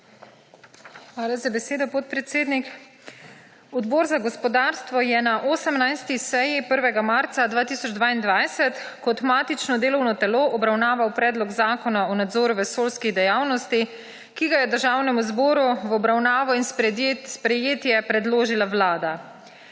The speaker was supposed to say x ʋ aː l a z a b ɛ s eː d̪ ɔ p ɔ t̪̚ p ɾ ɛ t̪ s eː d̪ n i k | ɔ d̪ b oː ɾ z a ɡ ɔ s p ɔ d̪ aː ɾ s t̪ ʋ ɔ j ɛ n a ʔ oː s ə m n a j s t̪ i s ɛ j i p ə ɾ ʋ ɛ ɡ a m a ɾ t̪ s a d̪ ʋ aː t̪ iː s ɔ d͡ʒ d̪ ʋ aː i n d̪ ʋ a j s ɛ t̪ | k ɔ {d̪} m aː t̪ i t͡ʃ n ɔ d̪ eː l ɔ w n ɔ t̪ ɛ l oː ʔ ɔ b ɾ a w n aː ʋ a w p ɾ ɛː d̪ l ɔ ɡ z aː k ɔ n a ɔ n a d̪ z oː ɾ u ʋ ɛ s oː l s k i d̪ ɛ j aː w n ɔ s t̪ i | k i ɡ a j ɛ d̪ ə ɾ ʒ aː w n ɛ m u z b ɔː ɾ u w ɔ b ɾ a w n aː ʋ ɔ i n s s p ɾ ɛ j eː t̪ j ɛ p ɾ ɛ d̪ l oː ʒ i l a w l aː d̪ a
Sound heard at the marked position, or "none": t̪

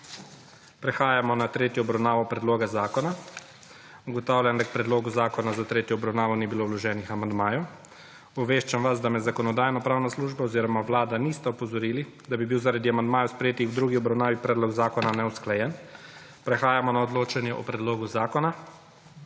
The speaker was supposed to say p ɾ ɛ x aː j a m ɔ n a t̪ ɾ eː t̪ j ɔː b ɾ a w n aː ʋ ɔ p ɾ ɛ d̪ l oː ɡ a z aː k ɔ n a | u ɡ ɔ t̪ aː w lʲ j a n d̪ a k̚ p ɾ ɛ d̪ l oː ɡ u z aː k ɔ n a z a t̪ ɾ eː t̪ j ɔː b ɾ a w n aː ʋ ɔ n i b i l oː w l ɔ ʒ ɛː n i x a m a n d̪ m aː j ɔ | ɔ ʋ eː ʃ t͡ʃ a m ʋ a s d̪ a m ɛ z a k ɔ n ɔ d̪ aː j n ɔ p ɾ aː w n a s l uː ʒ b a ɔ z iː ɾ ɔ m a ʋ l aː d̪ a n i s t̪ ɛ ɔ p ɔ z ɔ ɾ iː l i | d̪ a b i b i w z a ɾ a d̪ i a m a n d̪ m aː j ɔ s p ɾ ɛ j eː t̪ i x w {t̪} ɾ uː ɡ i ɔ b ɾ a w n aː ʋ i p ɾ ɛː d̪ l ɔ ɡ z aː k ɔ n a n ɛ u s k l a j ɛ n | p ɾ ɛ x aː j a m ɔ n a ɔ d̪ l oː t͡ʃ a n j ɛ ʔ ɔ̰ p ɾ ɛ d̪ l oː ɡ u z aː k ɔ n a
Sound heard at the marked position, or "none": d̪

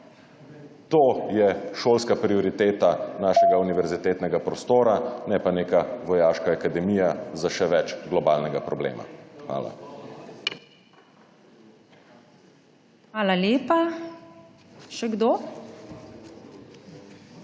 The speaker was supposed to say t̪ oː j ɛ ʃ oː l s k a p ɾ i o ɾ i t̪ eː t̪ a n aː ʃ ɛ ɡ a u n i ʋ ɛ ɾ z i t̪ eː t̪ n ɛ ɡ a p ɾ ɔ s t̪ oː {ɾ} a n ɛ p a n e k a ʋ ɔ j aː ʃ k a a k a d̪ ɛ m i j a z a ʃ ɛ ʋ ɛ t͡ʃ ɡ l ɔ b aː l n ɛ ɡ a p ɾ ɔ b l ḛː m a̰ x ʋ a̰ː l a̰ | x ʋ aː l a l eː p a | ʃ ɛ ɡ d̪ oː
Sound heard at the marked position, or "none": ɾ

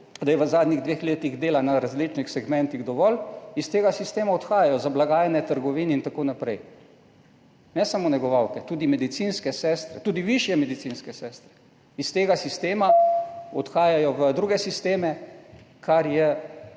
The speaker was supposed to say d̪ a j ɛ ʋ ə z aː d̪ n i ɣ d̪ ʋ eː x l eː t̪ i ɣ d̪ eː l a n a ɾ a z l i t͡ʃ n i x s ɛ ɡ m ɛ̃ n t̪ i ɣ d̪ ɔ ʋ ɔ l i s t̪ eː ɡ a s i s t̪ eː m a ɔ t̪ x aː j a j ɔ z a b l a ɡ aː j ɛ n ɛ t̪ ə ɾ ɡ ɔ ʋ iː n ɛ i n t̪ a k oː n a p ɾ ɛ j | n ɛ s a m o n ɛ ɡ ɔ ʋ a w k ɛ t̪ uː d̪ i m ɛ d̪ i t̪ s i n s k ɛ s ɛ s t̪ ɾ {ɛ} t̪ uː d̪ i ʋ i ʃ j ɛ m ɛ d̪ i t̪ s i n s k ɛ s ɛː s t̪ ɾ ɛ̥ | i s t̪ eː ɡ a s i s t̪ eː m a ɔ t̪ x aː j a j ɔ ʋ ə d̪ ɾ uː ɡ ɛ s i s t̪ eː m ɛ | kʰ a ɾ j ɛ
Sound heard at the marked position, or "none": ɛ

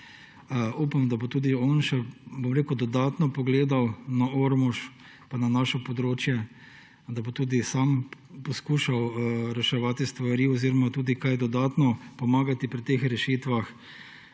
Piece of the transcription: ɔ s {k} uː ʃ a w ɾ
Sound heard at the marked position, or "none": k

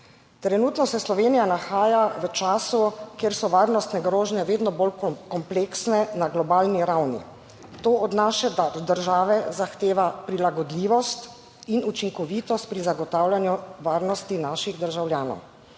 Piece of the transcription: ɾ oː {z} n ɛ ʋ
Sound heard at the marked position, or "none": ʒ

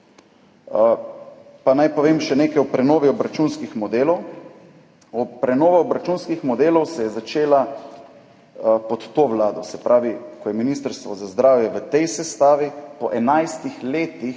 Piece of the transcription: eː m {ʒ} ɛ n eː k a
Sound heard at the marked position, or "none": ʃ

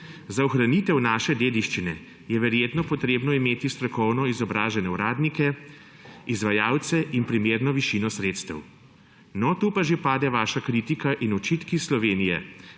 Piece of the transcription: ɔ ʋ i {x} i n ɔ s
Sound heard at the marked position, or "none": ʃ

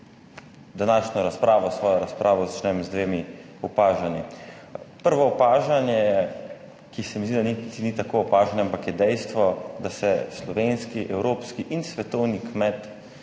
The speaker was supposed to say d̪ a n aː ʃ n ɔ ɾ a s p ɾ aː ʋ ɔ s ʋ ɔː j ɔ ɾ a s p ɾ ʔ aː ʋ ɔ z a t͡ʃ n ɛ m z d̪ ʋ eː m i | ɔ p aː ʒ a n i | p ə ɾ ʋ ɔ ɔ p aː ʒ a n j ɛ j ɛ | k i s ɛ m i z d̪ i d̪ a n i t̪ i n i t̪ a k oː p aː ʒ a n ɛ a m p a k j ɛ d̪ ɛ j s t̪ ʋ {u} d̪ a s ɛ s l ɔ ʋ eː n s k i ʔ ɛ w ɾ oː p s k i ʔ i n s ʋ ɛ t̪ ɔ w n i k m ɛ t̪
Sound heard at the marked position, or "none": ɔ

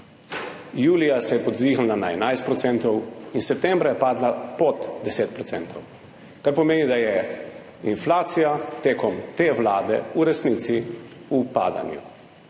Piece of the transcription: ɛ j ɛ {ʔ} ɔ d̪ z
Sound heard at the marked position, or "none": p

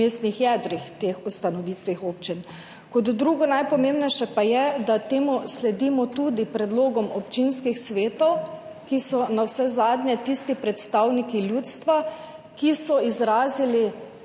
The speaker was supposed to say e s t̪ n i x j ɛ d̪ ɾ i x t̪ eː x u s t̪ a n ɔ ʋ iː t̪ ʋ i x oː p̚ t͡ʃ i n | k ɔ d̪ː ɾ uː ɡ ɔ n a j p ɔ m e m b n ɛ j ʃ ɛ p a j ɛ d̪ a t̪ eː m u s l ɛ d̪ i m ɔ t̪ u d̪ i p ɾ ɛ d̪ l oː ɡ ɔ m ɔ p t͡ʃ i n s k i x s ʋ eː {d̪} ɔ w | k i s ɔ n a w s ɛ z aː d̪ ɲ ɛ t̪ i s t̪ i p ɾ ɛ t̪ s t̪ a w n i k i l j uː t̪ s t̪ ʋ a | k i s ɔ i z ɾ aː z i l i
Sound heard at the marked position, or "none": t̪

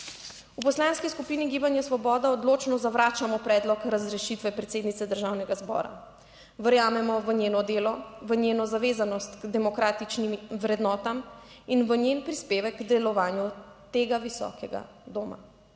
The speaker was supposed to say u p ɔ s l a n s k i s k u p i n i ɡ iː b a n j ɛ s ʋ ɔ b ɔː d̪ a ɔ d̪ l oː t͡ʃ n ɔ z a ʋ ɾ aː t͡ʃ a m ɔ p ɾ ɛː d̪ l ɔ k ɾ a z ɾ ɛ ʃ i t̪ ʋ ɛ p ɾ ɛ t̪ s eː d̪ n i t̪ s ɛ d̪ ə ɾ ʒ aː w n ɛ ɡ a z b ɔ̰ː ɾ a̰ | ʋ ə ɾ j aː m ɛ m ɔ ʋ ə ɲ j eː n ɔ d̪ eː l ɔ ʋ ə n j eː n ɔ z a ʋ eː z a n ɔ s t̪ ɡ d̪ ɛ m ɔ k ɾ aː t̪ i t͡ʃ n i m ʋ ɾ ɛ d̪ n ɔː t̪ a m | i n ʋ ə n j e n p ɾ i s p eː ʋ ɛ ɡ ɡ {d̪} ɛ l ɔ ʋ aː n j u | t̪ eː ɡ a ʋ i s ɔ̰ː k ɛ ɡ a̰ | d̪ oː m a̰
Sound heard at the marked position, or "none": d̪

